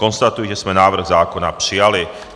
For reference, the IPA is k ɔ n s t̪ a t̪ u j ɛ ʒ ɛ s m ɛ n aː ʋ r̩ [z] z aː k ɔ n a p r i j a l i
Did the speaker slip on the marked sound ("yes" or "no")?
yes